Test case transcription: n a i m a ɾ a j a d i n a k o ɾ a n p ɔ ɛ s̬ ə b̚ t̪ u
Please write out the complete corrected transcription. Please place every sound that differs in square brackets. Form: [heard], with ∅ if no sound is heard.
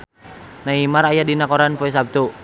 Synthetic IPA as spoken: n a i m a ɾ a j a d i n a k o ɾ a n p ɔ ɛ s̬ [a] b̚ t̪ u